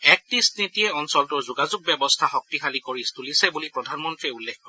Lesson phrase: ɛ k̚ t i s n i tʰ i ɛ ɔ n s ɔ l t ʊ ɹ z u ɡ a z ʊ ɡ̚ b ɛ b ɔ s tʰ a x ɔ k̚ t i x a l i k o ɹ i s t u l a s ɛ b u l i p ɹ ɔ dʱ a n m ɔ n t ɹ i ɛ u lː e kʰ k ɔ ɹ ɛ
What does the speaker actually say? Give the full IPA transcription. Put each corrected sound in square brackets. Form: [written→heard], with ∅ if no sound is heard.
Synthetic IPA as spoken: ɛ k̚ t i s n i [tʰ→t] i ɛ ɔ n s ɔ l t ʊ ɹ z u ɡ a z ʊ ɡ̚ b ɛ b ɔ s tʰ a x ɔ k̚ t i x a l i k o ɹ i s t u l [a→i] s ɛ b u l i p ɹ ɔ dʱ a n m ɔ n t ɹ i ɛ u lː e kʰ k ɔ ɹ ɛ